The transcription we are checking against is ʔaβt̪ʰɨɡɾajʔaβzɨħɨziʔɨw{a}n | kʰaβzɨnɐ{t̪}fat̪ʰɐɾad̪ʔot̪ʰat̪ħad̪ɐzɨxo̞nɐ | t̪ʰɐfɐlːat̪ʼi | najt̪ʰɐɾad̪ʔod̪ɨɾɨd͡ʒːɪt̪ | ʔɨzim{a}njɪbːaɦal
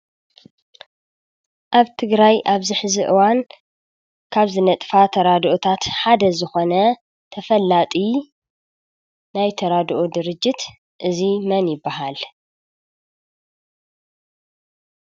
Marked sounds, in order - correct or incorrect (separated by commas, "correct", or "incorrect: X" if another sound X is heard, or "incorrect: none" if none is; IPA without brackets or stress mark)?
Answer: correct, incorrect: t̪ʼ, incorrect: ɐ